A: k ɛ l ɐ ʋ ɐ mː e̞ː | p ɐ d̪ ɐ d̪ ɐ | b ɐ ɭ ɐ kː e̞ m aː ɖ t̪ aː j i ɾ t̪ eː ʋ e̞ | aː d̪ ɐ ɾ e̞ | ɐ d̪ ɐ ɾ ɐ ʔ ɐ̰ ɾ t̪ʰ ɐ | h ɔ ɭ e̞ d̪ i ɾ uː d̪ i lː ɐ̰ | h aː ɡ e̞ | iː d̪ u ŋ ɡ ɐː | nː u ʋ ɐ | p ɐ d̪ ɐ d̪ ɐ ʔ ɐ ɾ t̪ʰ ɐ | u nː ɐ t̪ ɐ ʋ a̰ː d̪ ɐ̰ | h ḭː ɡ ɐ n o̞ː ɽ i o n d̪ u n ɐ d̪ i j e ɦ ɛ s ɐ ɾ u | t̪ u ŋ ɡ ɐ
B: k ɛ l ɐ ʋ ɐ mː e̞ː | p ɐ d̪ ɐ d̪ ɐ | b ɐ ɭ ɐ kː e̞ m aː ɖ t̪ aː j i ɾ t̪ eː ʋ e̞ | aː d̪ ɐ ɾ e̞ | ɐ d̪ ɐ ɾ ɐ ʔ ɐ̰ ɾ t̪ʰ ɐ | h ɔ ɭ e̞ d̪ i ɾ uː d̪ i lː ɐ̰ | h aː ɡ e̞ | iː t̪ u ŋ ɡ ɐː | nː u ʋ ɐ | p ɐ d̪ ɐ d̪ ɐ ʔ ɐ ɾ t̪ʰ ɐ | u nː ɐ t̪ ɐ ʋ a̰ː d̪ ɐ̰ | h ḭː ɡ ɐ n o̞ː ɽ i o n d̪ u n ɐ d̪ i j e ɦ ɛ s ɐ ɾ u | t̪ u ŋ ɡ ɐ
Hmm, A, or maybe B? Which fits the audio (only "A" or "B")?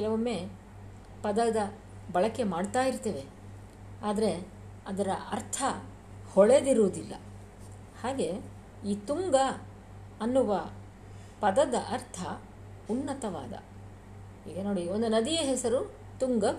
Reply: B